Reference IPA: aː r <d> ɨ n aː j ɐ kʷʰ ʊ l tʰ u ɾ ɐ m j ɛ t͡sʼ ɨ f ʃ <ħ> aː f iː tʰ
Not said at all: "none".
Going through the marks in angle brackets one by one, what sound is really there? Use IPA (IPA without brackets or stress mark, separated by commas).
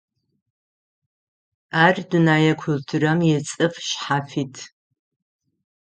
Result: d, ħ